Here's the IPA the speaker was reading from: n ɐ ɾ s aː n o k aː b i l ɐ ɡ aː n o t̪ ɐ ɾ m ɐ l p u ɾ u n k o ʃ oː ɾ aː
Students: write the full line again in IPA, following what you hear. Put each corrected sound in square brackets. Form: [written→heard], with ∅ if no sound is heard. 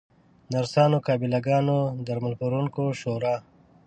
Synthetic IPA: n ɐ ɾ s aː n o k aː b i l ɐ ɡ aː n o [t̪→d̪] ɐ ɾ m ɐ l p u ɾ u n k o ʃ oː ɾ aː